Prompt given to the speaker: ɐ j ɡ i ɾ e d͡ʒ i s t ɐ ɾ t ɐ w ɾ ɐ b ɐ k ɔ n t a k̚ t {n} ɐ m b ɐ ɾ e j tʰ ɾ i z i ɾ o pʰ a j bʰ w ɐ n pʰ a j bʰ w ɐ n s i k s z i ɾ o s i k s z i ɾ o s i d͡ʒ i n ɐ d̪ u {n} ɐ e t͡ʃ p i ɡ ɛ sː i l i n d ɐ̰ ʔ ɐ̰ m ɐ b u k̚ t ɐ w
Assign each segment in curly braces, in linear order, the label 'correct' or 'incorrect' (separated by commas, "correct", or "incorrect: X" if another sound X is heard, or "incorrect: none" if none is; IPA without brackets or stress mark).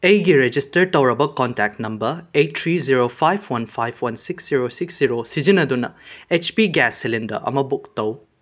correct, correct